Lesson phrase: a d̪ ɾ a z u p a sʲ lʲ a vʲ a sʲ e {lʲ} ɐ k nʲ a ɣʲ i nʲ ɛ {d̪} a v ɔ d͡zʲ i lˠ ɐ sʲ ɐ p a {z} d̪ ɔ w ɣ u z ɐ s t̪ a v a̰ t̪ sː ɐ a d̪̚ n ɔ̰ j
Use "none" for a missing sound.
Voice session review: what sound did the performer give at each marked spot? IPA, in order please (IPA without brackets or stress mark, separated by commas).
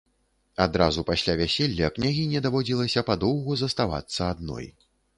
lʲː, d̪, none